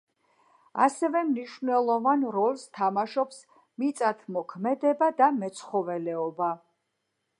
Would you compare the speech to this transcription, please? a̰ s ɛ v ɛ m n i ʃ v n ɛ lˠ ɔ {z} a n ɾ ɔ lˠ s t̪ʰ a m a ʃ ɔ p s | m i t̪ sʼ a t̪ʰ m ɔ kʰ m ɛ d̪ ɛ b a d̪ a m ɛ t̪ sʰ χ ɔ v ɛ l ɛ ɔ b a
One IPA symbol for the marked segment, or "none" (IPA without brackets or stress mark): v